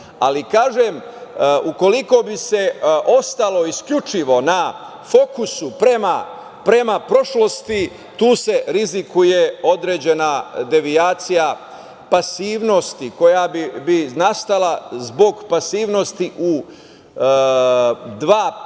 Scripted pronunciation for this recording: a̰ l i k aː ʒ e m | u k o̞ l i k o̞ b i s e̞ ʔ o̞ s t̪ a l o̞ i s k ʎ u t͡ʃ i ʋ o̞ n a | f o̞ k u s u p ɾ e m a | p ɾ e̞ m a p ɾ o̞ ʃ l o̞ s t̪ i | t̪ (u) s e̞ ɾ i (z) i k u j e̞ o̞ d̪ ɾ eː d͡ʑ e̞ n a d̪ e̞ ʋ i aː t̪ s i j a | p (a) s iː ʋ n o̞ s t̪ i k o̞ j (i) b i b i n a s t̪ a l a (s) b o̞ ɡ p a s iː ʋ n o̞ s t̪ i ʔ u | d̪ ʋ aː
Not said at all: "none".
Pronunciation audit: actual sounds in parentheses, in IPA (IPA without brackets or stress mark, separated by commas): uː, z, a, a, z